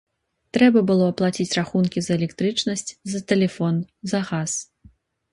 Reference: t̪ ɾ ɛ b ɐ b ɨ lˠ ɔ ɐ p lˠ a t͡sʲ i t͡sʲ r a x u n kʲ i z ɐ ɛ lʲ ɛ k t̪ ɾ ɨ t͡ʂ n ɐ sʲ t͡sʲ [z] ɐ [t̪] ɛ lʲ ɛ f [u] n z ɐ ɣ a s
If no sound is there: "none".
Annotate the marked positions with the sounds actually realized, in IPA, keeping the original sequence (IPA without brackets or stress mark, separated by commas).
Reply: z, t̪, ɔ